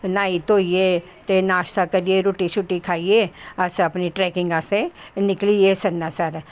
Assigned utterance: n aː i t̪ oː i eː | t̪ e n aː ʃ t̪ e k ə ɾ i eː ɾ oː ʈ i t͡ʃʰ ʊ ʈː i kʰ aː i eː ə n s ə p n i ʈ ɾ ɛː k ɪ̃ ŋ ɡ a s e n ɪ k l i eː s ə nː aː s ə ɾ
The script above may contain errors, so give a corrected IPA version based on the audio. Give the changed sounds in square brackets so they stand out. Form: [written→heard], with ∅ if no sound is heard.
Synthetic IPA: n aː i t̪ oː i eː | t̪ e n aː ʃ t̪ [e→a] k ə ɾ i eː ɾ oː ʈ i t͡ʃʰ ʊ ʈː i kʰ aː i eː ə [n→∅] s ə p n i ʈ ɾ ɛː k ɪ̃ ŋ ɡ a s e n ɪ k l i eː s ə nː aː s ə ɾ